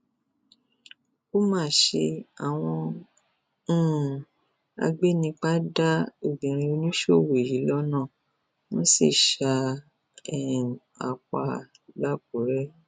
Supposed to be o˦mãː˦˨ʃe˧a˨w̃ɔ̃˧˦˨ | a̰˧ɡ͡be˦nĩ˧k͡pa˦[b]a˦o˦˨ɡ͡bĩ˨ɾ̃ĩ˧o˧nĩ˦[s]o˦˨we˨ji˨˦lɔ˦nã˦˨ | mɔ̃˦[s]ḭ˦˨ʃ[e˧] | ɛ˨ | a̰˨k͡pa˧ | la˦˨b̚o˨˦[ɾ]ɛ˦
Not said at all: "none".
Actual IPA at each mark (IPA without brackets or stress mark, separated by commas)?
d, ʃ, s, a˧, ɾ